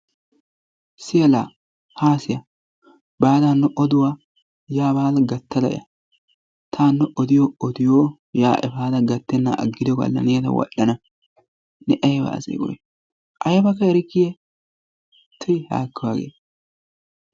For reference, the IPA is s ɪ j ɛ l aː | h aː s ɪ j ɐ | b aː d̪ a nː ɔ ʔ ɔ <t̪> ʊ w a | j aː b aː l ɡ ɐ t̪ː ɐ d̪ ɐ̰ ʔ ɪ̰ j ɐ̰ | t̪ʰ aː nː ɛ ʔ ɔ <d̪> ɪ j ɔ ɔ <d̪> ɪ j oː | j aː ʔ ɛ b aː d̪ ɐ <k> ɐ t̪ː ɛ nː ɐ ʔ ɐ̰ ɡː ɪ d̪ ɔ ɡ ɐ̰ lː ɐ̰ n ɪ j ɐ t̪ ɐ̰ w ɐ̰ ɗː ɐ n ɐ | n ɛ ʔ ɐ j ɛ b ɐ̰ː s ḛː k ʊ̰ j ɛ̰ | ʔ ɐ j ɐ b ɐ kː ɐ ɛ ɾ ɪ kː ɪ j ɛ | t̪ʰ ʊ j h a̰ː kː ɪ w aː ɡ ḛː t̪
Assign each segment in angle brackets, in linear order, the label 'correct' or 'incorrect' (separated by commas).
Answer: incorrect, correct, correct, incorrect